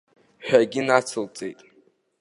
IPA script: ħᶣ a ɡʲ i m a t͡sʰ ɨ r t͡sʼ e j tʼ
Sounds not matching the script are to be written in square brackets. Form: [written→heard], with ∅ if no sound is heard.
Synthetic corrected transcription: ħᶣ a ɡʲ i [m→n] a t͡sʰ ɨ [r→l] t͡sʼ e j tʼ